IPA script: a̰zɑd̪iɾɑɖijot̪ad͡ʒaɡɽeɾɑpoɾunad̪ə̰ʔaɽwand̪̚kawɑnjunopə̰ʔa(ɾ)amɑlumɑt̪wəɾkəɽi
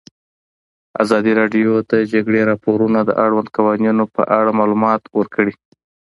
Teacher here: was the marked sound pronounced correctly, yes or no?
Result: no